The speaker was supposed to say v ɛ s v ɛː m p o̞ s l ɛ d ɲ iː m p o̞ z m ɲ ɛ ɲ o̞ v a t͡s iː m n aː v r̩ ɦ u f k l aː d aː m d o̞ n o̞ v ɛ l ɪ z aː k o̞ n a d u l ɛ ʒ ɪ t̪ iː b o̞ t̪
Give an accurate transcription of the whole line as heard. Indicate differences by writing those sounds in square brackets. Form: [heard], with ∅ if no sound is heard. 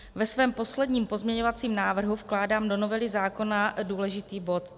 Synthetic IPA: v ɛ s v ɛː m p o̞ s l ɛ d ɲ iː m p o̞ z m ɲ ɛ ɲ o̞ v a t͡s iː m n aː v r̩ ɦ u f k l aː d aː m d o̞ n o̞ v ɛ l ɪ z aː k o̞ n a d [uː] l ɛ ʒ ɪ t̪ iː b o̞ t̪